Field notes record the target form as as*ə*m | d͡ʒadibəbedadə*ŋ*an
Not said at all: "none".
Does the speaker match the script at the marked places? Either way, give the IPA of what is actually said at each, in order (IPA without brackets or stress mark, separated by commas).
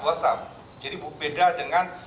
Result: a, ŋ